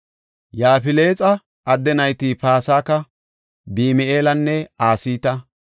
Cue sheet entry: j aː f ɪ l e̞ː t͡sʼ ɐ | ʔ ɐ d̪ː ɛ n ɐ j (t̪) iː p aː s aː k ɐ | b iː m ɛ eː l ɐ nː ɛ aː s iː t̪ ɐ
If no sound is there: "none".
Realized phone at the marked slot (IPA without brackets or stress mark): t̪